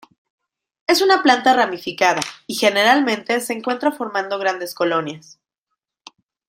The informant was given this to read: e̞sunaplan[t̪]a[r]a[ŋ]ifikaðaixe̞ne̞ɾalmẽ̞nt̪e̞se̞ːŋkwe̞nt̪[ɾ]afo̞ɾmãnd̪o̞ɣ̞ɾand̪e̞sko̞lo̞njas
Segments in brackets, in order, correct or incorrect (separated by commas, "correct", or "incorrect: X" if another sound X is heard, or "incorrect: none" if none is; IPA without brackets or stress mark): correct, correct, incorrect: m, correct